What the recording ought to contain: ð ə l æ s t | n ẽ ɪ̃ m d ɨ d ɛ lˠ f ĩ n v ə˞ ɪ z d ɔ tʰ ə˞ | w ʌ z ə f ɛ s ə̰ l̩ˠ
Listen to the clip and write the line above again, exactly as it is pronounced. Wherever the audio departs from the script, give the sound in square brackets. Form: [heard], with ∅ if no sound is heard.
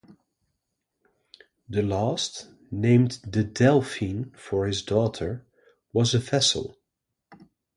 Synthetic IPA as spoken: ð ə l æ s t | n ẽ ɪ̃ m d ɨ d ɛ lˠ f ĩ n [f] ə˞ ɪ z d ɔ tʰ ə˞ | w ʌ z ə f ɛ s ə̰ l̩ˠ